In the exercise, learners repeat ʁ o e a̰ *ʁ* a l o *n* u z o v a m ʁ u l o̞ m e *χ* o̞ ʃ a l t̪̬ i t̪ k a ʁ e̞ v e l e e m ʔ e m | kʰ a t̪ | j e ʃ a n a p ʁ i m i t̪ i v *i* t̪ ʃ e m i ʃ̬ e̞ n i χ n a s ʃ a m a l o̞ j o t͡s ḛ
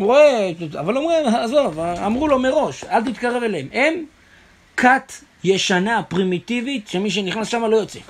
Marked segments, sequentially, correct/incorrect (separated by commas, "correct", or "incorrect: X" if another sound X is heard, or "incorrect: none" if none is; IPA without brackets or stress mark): incorrect: v, incorrect: m, incorrect: ʁ, correct